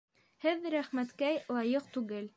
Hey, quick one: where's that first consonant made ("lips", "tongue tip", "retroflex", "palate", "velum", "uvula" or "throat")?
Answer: throat